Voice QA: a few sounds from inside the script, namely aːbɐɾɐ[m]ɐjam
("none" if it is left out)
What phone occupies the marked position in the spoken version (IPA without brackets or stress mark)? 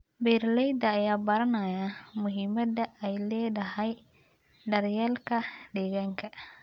n